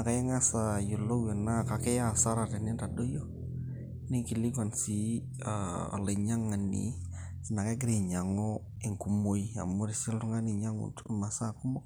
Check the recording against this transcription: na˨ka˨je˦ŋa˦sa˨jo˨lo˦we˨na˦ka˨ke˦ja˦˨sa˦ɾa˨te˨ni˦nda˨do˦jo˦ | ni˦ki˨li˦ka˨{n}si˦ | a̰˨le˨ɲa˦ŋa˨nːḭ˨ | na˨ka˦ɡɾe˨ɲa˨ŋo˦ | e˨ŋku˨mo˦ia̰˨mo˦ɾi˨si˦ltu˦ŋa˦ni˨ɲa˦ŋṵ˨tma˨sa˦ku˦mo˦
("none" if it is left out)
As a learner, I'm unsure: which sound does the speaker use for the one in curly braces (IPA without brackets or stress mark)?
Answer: n